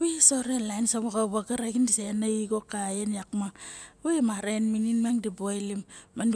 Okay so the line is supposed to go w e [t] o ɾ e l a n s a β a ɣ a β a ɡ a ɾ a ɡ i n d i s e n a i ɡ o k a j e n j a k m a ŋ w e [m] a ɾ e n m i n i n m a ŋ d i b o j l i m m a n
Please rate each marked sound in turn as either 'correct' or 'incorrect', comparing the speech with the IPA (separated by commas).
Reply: incorrect, correct